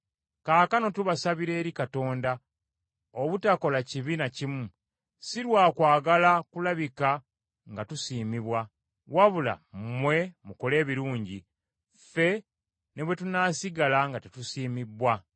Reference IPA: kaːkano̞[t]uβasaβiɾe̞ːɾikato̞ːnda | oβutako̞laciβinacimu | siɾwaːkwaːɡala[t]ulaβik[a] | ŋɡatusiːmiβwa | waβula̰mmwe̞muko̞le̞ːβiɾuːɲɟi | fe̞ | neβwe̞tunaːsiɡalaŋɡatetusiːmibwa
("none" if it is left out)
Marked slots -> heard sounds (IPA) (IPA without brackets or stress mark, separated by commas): t, k, a